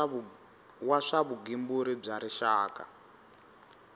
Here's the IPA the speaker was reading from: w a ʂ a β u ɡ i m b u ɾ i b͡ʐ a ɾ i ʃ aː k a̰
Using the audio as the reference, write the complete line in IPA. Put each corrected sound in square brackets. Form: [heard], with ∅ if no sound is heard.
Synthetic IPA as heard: w a ʂ a β u ɡ i m b u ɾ i b͡ʐ a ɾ i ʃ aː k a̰